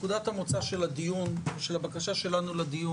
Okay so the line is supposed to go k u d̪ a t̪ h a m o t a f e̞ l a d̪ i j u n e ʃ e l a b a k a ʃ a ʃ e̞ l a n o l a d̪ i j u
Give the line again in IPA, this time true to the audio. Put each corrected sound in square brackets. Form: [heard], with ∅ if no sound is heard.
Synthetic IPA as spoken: k u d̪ a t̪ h a m o [t͡s] a [ʃ] e̞ l a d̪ i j u n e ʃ e l a b a k a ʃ a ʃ e̞ l a n [u] l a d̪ i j u

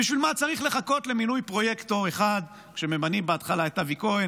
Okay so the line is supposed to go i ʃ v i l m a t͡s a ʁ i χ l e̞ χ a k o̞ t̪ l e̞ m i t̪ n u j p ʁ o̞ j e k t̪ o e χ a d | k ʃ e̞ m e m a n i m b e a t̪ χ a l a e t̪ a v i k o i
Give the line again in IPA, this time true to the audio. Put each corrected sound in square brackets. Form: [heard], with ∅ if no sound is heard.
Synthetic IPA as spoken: i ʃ v i l m a t͡s a ʁ i χ l e̞ χ a k o̞ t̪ l e̞ m i [∅] n u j p ʁ o̞ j e k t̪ o e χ a d | k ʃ e̞ m e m a n i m b e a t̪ χ a l a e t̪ a v i k o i

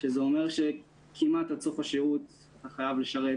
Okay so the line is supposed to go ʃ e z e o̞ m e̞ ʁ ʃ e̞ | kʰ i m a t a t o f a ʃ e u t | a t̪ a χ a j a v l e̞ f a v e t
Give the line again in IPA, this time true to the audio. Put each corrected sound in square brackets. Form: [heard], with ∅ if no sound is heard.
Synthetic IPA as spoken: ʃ e z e o̞ m e̞ ʁ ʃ e̞ | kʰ i m a t a [t͡s] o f a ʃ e u t | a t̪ a χ a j a v l e̞ [ʃ] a [ʁ] e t

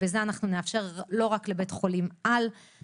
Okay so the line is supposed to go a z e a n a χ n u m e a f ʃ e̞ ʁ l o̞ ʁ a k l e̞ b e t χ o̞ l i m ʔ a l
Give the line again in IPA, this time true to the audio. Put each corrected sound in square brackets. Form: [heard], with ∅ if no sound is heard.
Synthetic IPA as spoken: [e] z e a n a χ n u [n] e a f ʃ e̞ ʁ l o̞ ʁ a k l e̞ b e t χ o̞ l i m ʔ a l

